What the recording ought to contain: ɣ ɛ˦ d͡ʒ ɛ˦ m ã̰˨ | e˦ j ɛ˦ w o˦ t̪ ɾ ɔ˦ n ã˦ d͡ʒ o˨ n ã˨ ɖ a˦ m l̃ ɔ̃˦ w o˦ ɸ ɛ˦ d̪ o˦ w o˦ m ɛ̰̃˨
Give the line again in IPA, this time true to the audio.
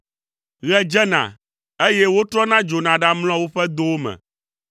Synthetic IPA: ɣ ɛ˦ d͡ʒ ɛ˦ n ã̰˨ | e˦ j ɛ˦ w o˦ t̪ ɾ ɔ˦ n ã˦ d͡ʒ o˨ n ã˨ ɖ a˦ m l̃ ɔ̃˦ w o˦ ɸ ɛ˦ d̪ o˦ w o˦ m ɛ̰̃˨